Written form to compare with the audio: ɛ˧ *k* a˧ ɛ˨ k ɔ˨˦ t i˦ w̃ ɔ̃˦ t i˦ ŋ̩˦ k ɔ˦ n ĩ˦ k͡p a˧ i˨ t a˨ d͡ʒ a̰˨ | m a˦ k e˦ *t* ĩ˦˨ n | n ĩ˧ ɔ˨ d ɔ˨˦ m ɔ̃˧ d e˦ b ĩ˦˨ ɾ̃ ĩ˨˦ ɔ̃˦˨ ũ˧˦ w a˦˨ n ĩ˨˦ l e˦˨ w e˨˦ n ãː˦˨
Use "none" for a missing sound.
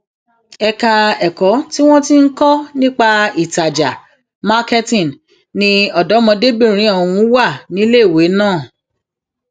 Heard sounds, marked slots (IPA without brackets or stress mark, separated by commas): k, t